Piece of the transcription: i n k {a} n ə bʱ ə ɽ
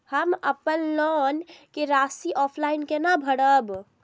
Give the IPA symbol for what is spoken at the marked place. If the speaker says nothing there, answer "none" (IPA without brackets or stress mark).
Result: e